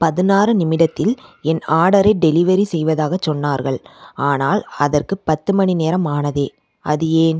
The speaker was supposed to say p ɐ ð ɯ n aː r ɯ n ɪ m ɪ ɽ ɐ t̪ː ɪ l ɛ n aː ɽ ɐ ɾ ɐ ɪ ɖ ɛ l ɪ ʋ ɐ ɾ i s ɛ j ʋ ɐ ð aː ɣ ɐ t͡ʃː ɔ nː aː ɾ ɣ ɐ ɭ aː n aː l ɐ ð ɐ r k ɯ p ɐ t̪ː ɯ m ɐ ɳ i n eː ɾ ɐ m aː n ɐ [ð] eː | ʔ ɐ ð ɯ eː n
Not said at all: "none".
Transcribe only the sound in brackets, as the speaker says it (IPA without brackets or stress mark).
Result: ð